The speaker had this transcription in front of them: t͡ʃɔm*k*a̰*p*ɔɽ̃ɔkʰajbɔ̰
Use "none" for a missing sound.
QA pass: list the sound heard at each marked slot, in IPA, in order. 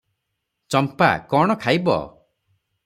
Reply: p, k

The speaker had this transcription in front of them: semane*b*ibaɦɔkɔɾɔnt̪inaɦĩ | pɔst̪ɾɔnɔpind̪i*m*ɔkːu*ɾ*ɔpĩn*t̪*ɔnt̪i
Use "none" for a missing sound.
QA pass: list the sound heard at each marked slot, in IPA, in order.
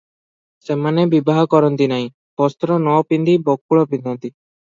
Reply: b, b, ɭ, d̪

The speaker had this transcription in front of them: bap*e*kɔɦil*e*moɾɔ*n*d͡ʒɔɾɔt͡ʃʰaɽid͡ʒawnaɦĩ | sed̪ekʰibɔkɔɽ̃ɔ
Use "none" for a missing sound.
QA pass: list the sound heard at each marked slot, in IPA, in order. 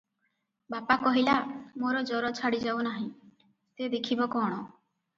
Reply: a, a, none

